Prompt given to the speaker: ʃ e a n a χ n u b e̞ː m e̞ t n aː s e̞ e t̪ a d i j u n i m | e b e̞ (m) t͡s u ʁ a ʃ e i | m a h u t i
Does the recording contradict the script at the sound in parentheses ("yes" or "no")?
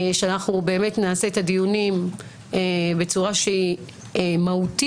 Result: yes